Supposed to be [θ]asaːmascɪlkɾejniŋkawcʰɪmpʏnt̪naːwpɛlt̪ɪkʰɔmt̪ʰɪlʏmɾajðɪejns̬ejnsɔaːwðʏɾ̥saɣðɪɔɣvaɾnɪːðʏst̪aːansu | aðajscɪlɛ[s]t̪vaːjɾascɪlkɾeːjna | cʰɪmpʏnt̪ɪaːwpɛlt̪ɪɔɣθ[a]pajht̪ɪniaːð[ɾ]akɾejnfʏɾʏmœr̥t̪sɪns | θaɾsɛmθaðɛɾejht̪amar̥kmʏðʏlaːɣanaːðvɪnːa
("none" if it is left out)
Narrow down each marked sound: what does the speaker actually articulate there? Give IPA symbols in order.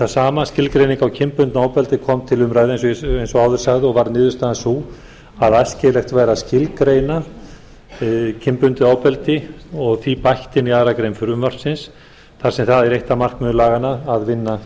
θ, x, i, ɾ

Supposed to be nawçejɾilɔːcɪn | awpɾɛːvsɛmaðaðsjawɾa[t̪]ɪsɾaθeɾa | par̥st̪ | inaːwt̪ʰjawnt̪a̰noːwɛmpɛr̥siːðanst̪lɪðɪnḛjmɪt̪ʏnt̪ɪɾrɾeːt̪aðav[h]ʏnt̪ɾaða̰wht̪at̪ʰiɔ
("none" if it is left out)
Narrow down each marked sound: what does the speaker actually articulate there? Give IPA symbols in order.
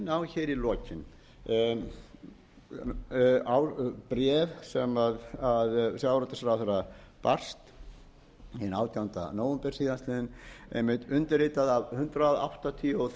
t̪, h

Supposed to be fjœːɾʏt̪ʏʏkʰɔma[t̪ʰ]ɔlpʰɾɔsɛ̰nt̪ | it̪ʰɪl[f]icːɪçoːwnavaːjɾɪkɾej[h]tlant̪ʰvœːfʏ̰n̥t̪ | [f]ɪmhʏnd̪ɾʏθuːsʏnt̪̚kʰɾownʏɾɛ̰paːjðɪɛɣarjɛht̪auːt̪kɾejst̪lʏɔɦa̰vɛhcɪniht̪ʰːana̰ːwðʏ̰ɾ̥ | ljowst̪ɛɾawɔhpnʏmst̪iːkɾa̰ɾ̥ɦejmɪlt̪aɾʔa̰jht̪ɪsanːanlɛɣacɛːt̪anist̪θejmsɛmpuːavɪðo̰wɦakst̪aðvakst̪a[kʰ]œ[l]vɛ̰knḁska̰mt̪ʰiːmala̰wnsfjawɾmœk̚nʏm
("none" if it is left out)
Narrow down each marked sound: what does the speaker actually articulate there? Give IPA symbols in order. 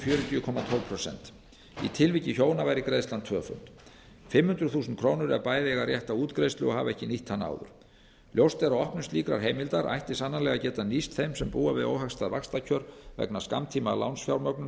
t̪ʰ, v, s, f, cʰ, ɾ

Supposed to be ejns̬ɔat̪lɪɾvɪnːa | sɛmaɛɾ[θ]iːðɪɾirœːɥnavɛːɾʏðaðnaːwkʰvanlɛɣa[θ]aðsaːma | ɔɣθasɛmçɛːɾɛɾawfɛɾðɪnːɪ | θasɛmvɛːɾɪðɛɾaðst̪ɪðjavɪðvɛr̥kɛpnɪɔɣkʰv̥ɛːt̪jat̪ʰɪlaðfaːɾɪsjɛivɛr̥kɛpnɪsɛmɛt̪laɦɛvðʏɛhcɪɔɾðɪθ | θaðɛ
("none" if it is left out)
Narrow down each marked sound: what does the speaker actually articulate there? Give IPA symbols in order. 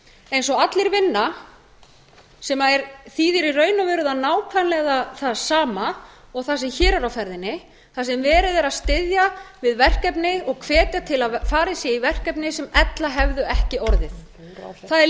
θ, θ

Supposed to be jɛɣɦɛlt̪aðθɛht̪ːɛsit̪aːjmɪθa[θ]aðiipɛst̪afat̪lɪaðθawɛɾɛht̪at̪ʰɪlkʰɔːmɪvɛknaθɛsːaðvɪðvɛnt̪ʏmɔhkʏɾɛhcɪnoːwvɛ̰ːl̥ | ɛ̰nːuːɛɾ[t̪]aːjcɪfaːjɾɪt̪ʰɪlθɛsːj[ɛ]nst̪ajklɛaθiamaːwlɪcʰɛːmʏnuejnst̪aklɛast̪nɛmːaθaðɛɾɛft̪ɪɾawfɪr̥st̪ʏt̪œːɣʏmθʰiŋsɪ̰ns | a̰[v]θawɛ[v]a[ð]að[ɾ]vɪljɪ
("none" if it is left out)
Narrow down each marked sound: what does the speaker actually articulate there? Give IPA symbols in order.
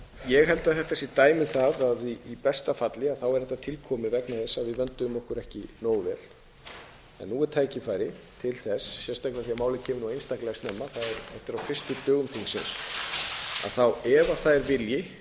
ð, t̪ʰ, ɛ, ð, v, θ, ɾ

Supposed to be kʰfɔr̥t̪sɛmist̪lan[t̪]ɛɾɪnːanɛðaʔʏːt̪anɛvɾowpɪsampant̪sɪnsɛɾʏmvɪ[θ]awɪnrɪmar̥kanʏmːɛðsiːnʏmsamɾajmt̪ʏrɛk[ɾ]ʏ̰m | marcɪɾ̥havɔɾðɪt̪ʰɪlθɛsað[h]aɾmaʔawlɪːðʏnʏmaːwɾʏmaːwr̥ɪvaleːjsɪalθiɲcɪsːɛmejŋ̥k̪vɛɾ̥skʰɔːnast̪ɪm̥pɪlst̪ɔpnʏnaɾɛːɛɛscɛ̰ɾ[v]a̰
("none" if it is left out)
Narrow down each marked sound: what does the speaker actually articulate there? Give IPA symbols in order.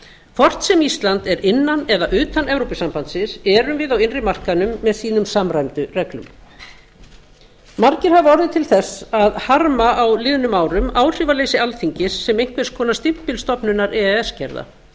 t̪, ð, l, h, ð

